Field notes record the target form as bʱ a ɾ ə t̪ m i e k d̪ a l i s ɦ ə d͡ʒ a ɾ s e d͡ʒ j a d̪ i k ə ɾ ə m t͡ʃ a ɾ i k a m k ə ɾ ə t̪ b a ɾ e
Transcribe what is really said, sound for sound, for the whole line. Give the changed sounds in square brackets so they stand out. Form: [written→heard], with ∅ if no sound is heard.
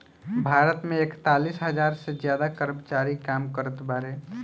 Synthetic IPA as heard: bʱ a ɾ ə t̪ m [i→e] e k [d̪→t̪] a l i s ɦ ə d͡ʒ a ɾ s e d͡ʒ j a d̪ [i→a] k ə ɾ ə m t͡ʃ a ɾ i k a m k ə ɾ ə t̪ b a ɾ e

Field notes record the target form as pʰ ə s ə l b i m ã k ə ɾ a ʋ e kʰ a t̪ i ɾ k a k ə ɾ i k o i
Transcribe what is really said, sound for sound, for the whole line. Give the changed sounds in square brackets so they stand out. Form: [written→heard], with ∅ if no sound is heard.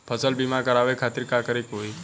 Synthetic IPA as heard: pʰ ə s ə l b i m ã k ə ɾ a ʋ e kʰ a t̪ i ɾ k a k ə ɾ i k o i

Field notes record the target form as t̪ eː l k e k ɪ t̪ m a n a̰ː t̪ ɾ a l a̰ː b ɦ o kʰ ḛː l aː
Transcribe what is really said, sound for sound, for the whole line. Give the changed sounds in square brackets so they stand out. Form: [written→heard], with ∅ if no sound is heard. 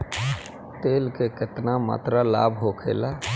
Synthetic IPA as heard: t̪ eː l k e k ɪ t̪ [m→n] a [n→m] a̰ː t̪ ɾ a l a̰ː b ɦ o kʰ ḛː l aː

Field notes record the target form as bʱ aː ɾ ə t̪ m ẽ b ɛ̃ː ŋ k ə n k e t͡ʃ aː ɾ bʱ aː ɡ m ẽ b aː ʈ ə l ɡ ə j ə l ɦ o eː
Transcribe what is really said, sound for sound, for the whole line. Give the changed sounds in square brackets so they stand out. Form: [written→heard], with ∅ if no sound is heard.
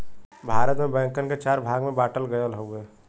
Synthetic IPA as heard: bʱ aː ɾ ə t̪ m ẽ b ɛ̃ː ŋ k ə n k e t͡ʃ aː ɾ bʱ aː ɡ m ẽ b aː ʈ ə l ɡ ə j ə l ɦ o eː

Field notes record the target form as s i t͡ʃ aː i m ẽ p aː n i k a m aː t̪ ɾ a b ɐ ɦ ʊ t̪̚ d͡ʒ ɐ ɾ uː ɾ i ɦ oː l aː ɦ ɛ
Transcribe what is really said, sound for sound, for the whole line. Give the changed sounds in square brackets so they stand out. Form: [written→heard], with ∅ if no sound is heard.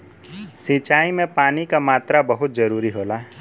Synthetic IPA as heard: s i t͡ʃ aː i m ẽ p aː n i k a m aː t̪ ɾ a b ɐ ɦ ʊ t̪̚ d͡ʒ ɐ ɾ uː ɾ i ɦ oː l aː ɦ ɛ

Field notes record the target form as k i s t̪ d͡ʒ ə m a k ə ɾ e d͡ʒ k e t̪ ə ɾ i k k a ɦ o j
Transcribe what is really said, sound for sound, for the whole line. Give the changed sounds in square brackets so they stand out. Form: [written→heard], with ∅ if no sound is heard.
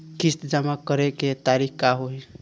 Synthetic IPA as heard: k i s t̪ d͡ʒ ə m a k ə ɾ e [d͡ʒ→∅] k e t̪ [ə→a] ɾ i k k a ɦ o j

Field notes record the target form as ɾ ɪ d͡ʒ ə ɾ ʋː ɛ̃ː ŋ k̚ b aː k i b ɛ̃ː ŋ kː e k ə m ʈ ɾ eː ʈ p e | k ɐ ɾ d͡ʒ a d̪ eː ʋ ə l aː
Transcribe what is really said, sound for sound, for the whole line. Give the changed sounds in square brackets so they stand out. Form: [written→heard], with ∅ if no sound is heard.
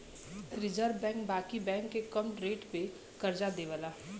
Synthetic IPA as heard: ɾ ɪ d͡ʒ ə ɾ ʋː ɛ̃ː ŋ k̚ b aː k i b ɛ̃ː ŋ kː e k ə m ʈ ɾ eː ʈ p e | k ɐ ɾ d͡ʒ a d̪ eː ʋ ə l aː

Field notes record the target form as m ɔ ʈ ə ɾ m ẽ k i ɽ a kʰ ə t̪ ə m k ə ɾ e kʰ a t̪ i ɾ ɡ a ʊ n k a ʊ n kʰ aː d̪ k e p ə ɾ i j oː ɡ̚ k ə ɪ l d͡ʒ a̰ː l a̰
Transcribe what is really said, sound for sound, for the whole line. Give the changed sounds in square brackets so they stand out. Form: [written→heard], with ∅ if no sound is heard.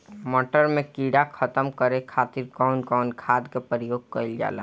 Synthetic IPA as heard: m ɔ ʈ ə ɾ m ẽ k i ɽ a kʰ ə t̪ ə m k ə ɾ e kʰ a t̪ i ɾ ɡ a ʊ n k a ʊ n kʰ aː d̪ k e p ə ɾ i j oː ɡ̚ k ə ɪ l d͡ʒ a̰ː l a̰

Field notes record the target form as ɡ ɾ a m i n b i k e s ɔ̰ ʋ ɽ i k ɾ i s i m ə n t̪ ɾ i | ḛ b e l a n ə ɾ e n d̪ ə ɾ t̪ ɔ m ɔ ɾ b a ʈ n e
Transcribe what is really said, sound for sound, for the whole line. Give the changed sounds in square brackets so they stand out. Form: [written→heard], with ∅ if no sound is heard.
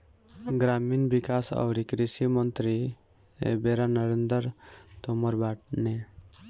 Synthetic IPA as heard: ɡ ɾ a m i n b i k [e→a] s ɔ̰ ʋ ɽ i k ɾ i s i m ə n t̪ ɾ i | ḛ b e [l→ɾ] a n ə ɾ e n d̪ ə ɾ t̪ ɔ m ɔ ɾ b a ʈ n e

